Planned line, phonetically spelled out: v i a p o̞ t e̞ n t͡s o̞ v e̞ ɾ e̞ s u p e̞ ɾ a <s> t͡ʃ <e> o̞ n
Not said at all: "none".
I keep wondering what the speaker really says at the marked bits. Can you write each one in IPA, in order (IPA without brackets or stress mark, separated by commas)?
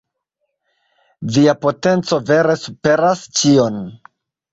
s, i